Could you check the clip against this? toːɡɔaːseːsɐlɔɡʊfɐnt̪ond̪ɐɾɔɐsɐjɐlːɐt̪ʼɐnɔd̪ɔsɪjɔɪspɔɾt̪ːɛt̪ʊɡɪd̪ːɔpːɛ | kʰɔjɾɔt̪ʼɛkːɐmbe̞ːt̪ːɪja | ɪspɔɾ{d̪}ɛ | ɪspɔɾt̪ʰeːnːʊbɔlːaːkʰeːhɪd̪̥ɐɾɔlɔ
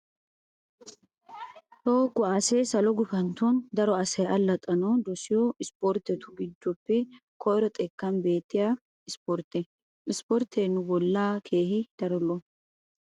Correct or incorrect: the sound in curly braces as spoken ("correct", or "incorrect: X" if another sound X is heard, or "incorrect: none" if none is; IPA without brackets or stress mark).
incorrect: t̪